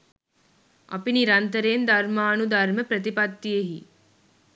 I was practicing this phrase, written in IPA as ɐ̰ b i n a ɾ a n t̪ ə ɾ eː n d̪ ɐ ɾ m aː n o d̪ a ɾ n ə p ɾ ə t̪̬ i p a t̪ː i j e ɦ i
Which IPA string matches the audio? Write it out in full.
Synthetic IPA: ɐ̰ p i n i ɾ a n t̪ ə ɾ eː n d̪ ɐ ɾ m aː n u d̪ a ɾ m ə p ɾ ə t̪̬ i p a t̪ː i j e ɦ i